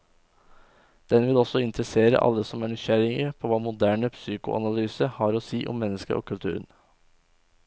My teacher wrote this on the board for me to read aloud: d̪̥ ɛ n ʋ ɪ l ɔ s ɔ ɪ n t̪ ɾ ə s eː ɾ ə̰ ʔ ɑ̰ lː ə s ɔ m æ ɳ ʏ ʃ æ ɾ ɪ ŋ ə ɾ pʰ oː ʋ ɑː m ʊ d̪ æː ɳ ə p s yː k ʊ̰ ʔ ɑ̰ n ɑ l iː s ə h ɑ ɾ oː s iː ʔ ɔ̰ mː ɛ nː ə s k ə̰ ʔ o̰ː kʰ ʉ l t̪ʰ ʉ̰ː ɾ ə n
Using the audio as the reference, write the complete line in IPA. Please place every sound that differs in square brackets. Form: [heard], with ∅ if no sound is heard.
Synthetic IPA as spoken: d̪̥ ɛ n ʋ ɪ l ɔ s ɔ ɪ n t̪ ɾ ə s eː ɾ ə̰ ʔ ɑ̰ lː ə s ɔ m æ ɳ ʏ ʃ æ ɾ ɪ ŋ ə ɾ pʰ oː ʋ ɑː m ʊ d̪ æː ɳ ə p s yː k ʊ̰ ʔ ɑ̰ n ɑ l [yː] s ə h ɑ ɾ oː s iː ʔ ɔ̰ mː ɛ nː ə s k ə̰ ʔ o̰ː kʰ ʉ l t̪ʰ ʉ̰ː ɾ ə n